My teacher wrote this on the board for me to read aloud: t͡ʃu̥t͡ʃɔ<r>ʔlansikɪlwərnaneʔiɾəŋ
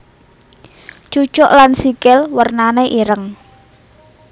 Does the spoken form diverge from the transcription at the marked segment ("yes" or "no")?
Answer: yes